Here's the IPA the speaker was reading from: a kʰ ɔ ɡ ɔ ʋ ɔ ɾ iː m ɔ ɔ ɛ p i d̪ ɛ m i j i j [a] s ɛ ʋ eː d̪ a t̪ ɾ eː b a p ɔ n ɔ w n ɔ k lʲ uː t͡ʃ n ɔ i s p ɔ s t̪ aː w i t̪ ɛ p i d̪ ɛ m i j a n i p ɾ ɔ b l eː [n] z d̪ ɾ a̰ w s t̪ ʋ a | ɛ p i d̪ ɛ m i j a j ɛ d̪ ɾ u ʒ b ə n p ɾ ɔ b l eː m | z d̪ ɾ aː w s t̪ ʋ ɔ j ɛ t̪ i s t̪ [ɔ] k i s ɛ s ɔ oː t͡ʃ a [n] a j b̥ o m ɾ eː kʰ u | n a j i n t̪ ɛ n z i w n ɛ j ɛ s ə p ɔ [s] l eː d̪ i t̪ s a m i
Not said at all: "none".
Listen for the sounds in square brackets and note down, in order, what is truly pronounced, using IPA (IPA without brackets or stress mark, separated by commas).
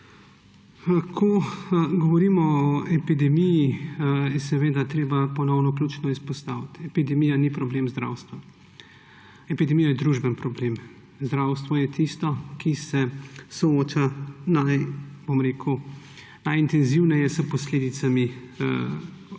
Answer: ɛ, m, ɔ, n, s